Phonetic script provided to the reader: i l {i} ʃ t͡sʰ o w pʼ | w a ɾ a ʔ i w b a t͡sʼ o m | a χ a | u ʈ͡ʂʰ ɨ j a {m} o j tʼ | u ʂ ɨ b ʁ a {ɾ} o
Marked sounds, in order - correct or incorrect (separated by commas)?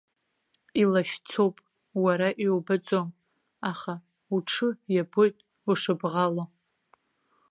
incorrect, incorrect, incorrect